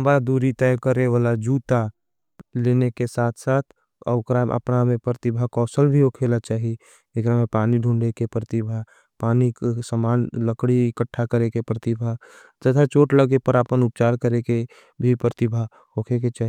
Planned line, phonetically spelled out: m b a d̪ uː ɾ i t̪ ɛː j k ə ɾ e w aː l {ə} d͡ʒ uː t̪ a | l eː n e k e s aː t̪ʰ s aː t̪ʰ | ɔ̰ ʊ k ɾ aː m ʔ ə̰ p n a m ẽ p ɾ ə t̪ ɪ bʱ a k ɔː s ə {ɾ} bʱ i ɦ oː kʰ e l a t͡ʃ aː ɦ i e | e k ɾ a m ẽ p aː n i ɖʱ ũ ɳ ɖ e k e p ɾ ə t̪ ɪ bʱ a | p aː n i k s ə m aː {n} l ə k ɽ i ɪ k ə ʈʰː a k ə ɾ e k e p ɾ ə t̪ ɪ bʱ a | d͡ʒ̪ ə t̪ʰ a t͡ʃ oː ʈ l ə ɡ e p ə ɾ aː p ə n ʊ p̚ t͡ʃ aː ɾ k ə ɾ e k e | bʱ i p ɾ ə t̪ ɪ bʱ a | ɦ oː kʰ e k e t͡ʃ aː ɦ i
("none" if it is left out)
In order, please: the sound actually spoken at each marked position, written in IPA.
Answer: a, l, n

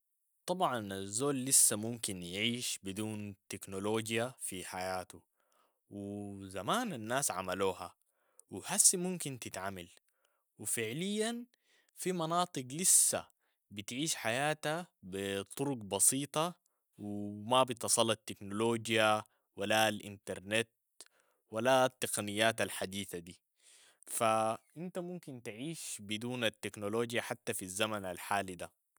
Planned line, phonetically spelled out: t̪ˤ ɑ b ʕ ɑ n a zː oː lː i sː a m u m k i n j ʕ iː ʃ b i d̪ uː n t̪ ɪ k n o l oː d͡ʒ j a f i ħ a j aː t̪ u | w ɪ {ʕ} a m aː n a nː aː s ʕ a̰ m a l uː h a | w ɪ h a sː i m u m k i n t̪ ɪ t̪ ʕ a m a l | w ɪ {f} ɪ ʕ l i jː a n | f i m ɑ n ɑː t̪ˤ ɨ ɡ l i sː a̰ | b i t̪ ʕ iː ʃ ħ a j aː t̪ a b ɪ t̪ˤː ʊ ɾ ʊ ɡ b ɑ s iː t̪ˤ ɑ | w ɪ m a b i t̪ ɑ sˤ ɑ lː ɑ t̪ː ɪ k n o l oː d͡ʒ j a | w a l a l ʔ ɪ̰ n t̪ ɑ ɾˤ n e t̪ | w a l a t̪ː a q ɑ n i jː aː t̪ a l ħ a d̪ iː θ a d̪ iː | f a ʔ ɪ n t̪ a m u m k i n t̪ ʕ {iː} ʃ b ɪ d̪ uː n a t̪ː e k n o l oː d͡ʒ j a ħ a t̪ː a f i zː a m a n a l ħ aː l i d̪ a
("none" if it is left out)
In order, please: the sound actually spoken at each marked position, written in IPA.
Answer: z, f, iː

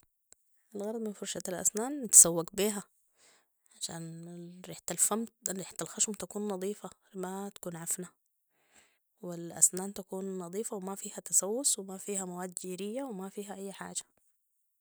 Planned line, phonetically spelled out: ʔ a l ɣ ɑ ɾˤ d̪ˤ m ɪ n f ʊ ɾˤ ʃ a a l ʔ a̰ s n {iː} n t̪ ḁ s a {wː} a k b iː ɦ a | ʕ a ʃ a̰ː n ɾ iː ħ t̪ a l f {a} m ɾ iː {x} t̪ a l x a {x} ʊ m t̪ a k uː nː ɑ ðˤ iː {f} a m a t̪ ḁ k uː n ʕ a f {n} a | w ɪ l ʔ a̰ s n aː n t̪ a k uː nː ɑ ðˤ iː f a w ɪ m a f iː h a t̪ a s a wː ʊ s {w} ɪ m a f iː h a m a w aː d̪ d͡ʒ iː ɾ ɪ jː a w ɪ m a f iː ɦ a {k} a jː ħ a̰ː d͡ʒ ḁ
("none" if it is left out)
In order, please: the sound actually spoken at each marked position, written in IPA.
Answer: aː, wː, a, ħ, ʃ, f, n, w, ʔ

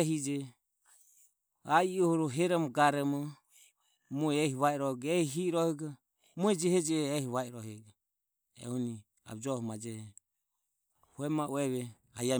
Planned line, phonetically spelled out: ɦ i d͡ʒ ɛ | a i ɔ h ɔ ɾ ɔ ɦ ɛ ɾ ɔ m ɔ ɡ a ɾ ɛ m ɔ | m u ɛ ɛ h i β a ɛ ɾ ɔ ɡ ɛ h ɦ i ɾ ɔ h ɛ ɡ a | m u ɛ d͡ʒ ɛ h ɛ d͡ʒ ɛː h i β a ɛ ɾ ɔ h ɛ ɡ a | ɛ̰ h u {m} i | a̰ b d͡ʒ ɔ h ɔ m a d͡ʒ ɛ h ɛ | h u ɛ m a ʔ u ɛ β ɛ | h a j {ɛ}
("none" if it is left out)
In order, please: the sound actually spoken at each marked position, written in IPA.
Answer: n, a

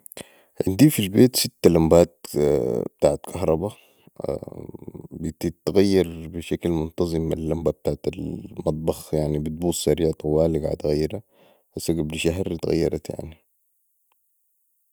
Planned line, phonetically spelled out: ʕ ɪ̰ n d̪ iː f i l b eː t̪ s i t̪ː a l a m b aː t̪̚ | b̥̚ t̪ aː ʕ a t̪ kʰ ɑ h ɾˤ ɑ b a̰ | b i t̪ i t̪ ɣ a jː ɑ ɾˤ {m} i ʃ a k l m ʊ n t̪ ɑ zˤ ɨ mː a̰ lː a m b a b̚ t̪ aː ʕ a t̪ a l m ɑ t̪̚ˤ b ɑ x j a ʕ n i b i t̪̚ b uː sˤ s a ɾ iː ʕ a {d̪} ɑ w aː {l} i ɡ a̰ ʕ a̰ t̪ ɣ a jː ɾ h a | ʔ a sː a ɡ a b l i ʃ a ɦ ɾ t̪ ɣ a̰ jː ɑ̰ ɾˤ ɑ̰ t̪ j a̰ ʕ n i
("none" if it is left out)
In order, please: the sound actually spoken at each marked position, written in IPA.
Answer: b, t̪, l

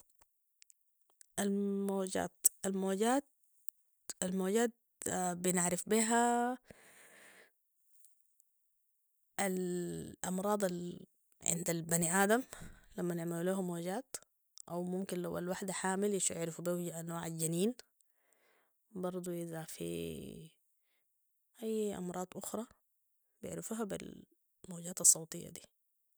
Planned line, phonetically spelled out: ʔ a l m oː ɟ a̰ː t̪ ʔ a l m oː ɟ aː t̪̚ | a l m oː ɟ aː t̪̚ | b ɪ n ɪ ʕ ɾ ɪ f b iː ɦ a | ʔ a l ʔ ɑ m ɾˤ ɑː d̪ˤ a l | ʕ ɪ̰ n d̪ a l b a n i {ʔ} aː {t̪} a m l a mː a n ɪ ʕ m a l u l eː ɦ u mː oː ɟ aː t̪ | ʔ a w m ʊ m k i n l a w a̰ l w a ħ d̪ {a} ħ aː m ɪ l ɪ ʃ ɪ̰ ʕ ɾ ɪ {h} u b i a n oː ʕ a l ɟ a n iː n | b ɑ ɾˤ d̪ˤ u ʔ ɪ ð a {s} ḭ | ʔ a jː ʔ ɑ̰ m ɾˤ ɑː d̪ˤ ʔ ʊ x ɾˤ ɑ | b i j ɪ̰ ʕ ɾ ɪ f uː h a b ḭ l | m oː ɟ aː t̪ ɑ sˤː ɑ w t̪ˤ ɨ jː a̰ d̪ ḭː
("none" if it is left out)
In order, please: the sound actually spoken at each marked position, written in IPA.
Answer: ʔ, d̪, a, f, f

